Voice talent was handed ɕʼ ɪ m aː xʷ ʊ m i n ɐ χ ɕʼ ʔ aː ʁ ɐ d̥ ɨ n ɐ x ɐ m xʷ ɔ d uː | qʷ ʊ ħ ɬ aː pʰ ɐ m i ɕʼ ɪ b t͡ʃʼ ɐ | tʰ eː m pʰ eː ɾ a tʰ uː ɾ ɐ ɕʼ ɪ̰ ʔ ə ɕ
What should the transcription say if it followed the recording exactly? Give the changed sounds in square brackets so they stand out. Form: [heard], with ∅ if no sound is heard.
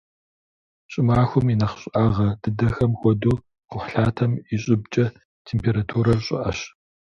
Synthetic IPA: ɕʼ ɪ m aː xʷ ʊ m i n ɐ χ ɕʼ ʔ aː ʁ ɐ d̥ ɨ [d] ɐ x ɐ m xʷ ɔ d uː | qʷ ʊ ħ ɬ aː [tʰ] ɐ m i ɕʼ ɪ b t͡ʃʼ ɐ | tʰ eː m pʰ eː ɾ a tʰ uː ɾ ɐ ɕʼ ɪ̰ ʔ [ɐ] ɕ